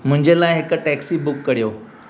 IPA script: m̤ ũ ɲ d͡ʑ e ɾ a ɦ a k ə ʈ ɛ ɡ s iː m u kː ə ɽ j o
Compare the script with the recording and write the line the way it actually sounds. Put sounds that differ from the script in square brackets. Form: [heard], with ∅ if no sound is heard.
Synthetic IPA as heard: m̤ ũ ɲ d͡ʑ e [l] a ɦ [e] k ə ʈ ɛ [k] s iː [b] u kː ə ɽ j o

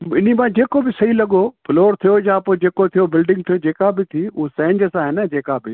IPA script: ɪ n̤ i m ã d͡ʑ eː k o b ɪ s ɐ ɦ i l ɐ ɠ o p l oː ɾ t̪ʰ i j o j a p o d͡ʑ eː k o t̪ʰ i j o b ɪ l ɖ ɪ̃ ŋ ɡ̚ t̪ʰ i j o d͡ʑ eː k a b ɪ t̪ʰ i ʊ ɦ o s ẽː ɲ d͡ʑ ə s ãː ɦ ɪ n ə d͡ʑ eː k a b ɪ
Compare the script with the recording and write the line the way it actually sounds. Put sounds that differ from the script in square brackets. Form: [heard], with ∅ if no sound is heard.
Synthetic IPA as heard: ɪ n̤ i m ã d͡ʑ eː k o b ɪ s ɐ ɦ i l ɐ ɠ o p l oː ɾ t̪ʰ i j o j a p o d͡ʑ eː k o t̪ʰ i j o b ɪ l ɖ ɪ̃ ŋ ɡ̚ t̪ʰ i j o d͡ʑ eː k a b ɪ t̪ʰ i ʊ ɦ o s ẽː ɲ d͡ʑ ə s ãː ɦ ɪ n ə d͡ʑ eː k a b ɪ

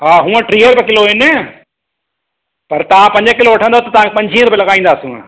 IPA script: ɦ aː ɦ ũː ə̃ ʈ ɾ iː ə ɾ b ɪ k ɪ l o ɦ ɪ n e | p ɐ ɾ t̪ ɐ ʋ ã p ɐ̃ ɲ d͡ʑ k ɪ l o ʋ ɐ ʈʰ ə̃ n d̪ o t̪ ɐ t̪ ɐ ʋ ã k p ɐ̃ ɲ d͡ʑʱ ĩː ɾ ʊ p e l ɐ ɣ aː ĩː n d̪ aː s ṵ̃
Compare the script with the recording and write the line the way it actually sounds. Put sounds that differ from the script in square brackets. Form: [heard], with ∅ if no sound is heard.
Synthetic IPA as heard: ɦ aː ɦ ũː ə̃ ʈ ɾ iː ə ɾ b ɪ k ɪ l o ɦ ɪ n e | p ɐ ɾ t̪ ɐ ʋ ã p ɐ̃ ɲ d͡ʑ k ɪ l o ʋ ɐ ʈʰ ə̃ n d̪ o t̪ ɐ t̪ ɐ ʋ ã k p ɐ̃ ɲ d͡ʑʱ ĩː ɾ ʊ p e l ɐ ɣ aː ĩː n d̪ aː s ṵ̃

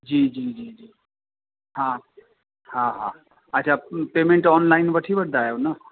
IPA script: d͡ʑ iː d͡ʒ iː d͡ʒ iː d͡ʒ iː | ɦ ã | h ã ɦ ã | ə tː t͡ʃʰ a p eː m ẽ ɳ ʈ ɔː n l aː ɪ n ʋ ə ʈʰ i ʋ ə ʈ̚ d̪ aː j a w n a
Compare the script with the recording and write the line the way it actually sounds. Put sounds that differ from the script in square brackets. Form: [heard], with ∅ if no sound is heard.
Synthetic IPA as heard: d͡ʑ iː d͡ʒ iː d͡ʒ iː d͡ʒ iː | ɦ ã | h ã ɦ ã | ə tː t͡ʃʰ a p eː m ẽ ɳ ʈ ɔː n l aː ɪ n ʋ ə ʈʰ i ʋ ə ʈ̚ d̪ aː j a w n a

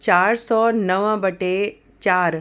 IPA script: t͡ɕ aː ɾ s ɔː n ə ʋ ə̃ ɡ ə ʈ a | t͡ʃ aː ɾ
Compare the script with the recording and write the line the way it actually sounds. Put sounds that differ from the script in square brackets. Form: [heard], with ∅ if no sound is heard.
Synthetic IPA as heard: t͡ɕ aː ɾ s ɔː n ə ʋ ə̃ [b] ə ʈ [e] | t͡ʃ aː ɾ

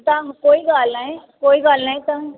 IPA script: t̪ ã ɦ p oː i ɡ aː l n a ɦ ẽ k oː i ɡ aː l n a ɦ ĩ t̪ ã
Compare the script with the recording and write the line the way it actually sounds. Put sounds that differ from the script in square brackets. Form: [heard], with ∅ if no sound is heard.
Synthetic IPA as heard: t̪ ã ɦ [k] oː i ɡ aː l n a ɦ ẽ k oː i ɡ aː l n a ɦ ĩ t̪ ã

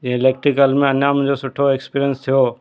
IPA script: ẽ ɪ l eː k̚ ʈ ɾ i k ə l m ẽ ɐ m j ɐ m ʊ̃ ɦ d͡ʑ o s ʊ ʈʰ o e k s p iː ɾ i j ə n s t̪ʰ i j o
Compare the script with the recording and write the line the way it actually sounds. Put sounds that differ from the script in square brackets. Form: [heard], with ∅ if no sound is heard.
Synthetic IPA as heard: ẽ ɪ l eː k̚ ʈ ɾ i k ə l m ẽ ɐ [n] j [a] m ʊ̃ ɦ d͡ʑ o s ʊ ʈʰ o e k s p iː ɾ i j ə n s t̪ʰ i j o

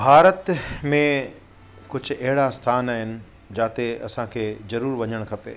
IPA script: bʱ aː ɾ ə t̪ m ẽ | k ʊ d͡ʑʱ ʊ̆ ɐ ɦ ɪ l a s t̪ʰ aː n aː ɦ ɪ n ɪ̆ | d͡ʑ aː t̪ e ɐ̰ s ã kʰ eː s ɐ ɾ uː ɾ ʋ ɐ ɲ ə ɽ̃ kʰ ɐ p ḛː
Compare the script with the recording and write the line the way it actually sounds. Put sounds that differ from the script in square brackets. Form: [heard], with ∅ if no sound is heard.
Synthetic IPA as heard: bʱ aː ɾ ə t̪ m ẽ | k ʊ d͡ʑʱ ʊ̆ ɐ ɦ ɪ [ɽ] a s t̪ʰ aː n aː ɦ ɪ n ɪ̆ | d͡ʑ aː t̪ e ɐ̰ s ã kʰ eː [z] ɐ ɾ uː ɾ ʋ ɐ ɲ ə ɽ̃ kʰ ɐ p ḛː

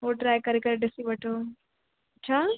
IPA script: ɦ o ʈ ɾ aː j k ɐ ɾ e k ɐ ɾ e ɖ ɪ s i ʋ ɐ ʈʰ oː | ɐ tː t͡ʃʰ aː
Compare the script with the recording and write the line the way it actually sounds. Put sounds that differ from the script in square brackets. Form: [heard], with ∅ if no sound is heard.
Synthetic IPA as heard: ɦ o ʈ ɾ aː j k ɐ ɾ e k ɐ ɾ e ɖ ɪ s i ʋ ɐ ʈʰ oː | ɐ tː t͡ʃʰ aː

